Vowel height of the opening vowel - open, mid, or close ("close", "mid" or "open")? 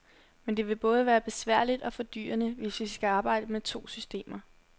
mid